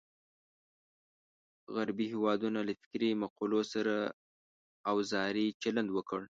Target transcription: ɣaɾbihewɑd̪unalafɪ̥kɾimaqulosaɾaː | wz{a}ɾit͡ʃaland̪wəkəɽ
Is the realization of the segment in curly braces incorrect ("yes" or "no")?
yes